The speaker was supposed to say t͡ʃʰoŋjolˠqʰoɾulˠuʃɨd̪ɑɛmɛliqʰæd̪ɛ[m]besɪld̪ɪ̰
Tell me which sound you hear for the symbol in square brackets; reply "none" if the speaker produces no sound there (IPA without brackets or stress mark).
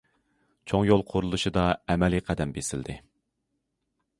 m